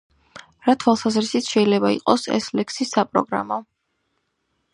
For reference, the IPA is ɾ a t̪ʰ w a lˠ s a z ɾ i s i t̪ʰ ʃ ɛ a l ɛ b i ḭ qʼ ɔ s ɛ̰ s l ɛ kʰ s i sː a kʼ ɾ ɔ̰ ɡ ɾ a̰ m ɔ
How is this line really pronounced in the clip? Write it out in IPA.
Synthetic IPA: ɾ a t̪ʰ w a lˠ s a z ɾ i s i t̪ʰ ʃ ɛ i l ɛ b a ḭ qʼ ɔ s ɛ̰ s l ɛ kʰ s i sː a pʼ ɾ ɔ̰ ɡ ɾ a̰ m ɔ